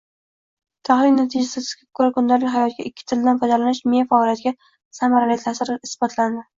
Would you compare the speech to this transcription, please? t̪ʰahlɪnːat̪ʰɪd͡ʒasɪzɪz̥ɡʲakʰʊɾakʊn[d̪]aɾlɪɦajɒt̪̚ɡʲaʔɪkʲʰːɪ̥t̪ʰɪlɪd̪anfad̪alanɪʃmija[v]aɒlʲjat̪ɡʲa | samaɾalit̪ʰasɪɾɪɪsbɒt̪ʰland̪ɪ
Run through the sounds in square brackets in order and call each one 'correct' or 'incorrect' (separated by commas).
correct, incorrect